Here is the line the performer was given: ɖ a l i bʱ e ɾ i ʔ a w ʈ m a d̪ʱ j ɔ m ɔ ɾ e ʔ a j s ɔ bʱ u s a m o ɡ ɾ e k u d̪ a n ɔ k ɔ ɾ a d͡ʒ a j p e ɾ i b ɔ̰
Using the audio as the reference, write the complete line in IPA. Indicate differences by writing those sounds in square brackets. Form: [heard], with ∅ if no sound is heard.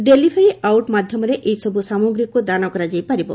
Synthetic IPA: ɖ [e] l i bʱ e ɾ i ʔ a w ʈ m a d̪ʱ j ɔ m ɔ ɾ e ʔ [e] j s ɔ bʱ u s a m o ɡ ɾ [i] k u d̪ a n ɔ k ɔ ɾ a d͡ʒ a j p [a] ɾ i b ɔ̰